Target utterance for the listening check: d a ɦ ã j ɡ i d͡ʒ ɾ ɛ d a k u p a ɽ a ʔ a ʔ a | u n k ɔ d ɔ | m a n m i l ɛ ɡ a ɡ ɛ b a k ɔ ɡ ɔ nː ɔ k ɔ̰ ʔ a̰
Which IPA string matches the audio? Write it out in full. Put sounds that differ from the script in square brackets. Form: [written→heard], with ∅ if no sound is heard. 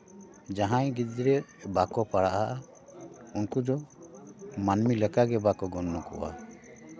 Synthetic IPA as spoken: [d→d͡ʒ] a ɦ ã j ɡ i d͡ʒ ɾ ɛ [d→b] a k [u→ɔ] p a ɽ a ʔ a ʔ a | u n k [ɔ→u] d ɔ | m a n m i l ɛ [ɡ→k] a ɡ ɛ b a k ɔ ɡ ɔ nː ɔ k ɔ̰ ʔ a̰